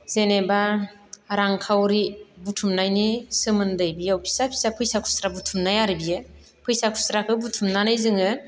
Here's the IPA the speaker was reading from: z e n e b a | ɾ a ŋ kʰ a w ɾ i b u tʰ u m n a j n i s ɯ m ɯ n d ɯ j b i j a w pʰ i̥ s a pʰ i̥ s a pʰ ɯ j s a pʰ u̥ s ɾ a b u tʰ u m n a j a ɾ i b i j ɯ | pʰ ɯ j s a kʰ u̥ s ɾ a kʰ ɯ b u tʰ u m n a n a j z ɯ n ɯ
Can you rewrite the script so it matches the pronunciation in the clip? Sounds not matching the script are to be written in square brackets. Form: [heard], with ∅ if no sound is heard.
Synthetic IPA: z e n e b a | ɾ a ŋ kʰ a w ɾ i b u tʰ u m n a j n i s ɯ m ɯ n d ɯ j b i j a w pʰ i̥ s a pʰ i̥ s a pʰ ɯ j s a [kʰ] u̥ s ɾ a b u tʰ u m n a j a ɾ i b i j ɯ | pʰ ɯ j s a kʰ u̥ s ɾ a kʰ ɯ b u tʰ u m n a n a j z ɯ [ŋ] ɯ

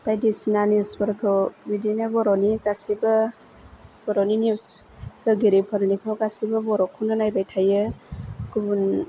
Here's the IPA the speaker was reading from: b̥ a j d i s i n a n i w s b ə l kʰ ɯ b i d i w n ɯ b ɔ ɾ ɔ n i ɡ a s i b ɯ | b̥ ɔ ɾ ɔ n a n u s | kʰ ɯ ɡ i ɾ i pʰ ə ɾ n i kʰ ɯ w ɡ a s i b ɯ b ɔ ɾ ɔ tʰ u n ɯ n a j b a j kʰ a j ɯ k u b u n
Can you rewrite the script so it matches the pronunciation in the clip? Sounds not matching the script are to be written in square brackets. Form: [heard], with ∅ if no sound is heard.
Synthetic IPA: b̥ a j d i s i n a n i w s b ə [ɾ] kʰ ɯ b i d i [∅] n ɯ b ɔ ɾ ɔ n i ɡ a s i b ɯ | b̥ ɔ ɾ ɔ n [i] n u s | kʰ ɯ ɡ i ɾ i pʰ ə ɾ n i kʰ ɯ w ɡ a s i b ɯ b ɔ ɾ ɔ [kʰ] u n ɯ n a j b a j [tʰ] a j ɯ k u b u n

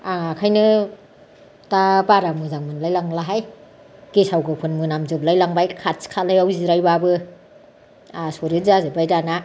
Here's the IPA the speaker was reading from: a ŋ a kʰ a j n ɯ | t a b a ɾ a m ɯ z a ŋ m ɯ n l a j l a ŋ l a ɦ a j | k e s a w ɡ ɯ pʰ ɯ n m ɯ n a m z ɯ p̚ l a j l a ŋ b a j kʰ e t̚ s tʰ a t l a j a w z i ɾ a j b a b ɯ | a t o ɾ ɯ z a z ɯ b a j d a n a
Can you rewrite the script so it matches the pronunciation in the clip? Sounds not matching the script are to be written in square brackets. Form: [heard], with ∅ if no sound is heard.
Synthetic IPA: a ŋ a kʰ a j n ɯ | t a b a ɾ a m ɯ z a ŋ m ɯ n l a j l a ŋ l a ɦ a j | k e s a w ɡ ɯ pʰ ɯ n m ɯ n a m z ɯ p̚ l a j l a ŋ b a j kʰ [a] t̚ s [kʰ] a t l a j a w z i ɾ a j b a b ɯ | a [s] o ɾ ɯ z a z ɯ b a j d a n a

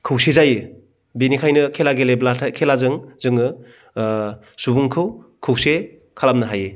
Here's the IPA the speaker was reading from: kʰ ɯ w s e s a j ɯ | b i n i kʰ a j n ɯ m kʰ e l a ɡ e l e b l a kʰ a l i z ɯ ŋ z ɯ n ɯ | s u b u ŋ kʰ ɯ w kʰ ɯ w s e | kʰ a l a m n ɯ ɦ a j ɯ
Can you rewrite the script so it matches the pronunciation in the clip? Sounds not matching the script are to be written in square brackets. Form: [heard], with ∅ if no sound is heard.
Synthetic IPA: kʰ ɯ w s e [z] a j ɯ | b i n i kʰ a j n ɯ [∅] kʰ e l a ɡ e l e b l a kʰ [e] l [a] z ɯ ŋ z ɯ [ŋ] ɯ | s u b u ŋ kʰ ɯ w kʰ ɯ w s e | kʰ a l a m n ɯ ɦ a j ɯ

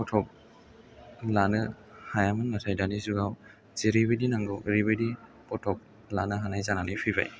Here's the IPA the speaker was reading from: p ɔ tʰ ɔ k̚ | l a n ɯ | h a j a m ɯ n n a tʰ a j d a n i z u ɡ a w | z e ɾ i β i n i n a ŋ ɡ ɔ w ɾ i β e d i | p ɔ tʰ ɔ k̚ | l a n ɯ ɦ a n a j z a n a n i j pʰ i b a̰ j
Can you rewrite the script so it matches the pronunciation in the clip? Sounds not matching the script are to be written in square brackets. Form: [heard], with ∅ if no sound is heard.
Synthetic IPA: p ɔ tʰ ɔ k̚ | l a n ɯ | h a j a m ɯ n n a tʰ a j d a n i z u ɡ a w | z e ɾ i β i [d] i n a ŋ ɡ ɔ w ɾ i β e d i | p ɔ tʰ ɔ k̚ | l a n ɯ ɦ a n a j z a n a n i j pʰ i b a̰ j

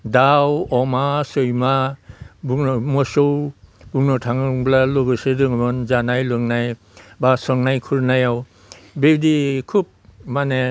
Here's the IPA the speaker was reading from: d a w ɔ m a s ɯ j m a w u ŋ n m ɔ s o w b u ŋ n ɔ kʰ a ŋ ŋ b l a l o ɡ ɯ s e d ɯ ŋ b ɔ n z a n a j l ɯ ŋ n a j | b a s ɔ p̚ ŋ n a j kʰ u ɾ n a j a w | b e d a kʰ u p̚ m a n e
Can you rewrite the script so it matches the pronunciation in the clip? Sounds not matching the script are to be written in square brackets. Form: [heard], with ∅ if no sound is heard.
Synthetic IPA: d a w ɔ m a s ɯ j m a [b] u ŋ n m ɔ s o w b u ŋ n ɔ [tʰ] a ŋ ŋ b l a l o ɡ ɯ s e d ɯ ŋ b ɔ n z a n a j l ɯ ŋ n a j | b a s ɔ [∅] ŋ n a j kʰ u ɾ n a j a w | b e d [i] kʰ u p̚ m a n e

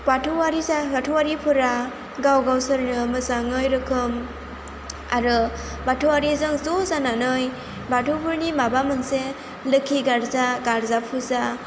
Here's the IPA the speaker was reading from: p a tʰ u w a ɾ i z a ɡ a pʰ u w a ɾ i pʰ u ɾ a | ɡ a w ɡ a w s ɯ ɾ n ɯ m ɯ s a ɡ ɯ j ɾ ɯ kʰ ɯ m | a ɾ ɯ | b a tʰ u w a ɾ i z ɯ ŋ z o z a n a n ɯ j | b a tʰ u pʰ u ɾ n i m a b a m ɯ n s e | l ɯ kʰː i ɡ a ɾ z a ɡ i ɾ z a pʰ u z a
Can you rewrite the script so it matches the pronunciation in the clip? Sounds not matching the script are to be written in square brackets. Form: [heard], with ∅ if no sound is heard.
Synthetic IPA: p a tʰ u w a ɾ i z a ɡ a [tʰ] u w a ɾ i pʰ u ɾ a | ɡ a w ɡ a w s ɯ ɾ n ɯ m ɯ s a [ŋ] ɯ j ɾ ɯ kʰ ɯ m | a ɾ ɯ | b a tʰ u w a ɾ i z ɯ ŋ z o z a n a n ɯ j | b a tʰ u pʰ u ɾ n i m a b a m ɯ n s e | l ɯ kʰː i ɡ a ɾ z a ɡ [a] ɾ z a pʰ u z a

